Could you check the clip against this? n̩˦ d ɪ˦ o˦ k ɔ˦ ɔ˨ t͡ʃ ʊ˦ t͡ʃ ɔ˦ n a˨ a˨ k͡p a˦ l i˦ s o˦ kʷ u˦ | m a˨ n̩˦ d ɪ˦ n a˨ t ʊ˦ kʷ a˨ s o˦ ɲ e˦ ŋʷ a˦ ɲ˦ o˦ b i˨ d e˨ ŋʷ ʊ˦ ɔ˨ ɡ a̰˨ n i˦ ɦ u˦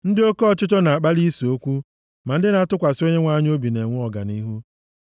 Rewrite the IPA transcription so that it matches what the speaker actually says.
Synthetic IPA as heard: n̩˦ d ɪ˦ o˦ k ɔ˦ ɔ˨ t͡ʃ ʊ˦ t͡ʃ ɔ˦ n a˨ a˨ k͡p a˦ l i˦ s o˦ kʷ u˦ | m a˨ n̩˦ d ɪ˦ n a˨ t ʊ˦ kʷ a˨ s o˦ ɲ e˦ ŋʷ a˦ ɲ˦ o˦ b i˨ n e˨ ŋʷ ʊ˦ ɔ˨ ɡ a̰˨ n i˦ ɦ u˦